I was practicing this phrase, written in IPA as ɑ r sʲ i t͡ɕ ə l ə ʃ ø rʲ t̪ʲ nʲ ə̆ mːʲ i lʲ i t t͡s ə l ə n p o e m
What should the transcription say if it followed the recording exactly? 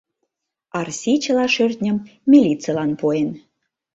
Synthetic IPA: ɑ r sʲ i t͡ɕ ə l ɑ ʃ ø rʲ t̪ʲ nʲ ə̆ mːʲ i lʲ i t t͡s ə l ɑ n p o e n